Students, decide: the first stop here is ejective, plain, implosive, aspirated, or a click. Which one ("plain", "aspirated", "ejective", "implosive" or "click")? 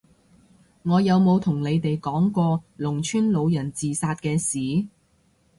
aspirated